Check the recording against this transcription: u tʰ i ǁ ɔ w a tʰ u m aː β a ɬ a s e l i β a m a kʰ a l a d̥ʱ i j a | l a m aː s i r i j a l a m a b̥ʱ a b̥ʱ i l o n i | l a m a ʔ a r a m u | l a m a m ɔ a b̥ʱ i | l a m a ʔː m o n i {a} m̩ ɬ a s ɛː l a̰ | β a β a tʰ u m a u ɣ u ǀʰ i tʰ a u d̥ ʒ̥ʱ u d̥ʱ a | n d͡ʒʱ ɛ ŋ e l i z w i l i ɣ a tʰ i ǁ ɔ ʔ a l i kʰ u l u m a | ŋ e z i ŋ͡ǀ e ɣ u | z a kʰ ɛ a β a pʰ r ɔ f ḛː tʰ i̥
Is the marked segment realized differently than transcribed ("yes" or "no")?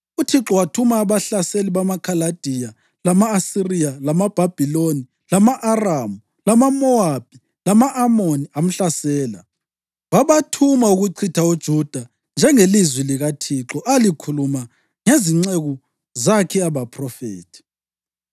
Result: no